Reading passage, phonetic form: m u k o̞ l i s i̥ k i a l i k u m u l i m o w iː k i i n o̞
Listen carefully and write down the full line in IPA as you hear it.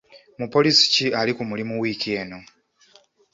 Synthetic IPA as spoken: m u p o̞ l i s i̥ c i a l i k u m u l i m u w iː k i e n o̞